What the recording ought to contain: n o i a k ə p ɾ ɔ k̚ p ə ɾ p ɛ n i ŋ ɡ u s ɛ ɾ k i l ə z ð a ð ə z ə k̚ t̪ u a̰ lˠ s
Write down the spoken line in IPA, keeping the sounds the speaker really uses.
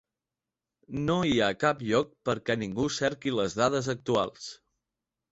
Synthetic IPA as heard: n o i a k a p ʎ ɔ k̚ p ə ɾ k ɛ n i ŋ ɡ u s ɛ ɾ k i l ə z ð a ð ə z ə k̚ t̪ u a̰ lˠ s

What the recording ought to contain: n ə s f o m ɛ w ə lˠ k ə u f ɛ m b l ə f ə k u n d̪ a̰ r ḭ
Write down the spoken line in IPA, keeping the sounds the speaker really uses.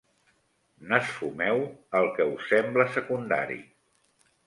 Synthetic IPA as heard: n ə s f u m ɛ w ə lˠ k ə u s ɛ m b l ə s ə k u n d̪ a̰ ɾ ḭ

